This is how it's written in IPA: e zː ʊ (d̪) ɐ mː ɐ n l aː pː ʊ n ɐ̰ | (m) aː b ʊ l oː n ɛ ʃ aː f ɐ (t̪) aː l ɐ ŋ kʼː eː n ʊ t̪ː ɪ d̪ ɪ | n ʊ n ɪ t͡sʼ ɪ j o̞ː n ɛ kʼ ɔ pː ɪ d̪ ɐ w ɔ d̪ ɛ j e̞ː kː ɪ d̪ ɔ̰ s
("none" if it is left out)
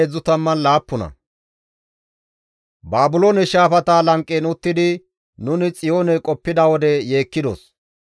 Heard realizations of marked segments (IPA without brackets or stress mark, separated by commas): t̪, b, t̪